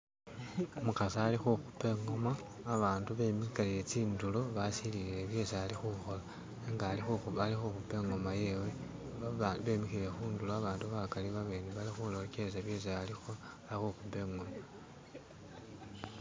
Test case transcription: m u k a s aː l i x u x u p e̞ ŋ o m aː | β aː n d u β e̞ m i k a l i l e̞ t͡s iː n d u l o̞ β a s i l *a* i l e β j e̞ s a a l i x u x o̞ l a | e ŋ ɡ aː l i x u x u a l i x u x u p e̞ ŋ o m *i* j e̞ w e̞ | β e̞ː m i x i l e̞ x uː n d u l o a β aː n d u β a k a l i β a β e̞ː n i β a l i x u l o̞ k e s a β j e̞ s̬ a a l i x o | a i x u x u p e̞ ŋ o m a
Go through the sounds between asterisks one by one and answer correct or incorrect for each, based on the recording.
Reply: incorrect: i, incorrect: a

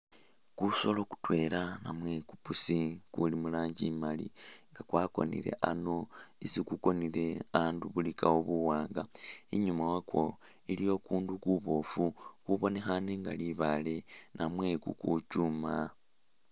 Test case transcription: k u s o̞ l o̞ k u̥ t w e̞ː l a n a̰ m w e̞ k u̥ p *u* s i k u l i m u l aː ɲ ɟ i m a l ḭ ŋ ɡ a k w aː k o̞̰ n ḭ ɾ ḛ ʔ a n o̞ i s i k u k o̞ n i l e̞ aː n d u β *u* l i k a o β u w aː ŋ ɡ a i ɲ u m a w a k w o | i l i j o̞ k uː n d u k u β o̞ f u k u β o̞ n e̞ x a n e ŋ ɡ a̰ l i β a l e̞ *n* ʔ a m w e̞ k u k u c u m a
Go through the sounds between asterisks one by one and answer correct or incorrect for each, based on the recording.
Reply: correct, correct, correct

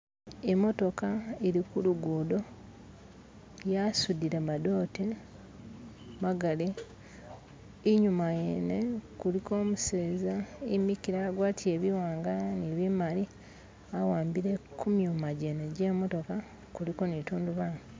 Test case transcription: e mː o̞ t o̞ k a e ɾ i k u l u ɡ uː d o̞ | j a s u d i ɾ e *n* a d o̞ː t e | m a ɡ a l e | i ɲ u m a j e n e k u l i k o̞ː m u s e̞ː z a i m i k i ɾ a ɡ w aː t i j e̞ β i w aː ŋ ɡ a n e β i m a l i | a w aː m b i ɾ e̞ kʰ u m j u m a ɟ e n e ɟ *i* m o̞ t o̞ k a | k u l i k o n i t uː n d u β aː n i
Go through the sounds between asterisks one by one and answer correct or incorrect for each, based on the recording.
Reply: incorrect: m, incorrect: e

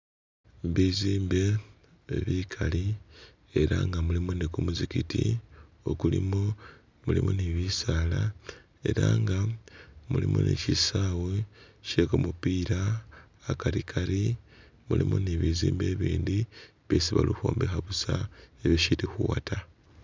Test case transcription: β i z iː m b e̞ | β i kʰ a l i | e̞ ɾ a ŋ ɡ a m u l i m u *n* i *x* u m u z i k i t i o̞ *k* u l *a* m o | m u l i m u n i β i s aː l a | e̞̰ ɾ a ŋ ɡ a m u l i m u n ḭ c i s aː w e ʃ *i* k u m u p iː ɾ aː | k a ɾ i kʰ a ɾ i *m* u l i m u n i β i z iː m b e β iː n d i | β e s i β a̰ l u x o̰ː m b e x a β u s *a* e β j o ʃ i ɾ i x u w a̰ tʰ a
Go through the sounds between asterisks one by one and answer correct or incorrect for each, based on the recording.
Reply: correct, incorrect: k, correct, incorrect: i, incorrect: e, correct, correct

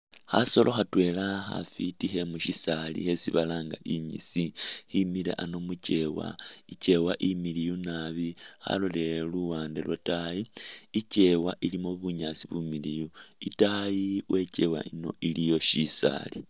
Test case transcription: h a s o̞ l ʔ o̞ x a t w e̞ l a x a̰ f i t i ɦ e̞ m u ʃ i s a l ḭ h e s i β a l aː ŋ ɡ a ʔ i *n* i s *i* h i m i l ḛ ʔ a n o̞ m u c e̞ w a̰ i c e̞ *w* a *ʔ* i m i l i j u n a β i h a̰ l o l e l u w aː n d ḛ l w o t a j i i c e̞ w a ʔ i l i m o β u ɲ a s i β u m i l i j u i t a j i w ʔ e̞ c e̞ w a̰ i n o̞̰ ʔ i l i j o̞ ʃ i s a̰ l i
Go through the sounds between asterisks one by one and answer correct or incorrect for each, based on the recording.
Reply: incorrect: ɲ, correct, correct, correct

